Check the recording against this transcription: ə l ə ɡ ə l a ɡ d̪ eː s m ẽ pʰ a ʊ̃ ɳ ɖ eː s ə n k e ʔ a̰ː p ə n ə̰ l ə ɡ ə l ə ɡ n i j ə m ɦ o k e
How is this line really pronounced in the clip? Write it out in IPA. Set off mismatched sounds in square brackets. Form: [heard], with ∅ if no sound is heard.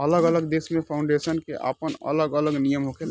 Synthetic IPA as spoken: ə l ə ɡ ə l [ə] ɡ d̪ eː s m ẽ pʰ a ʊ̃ ɳ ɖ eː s ə n k e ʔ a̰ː p ə n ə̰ l ə ɡ ə l ə ɡ n i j ə m ɦ o k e